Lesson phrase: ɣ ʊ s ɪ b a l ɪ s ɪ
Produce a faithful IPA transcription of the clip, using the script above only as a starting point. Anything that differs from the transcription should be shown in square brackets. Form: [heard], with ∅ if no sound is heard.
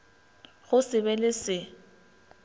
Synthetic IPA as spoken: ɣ ʊ s ɪ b [ɛ] l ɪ s ɪ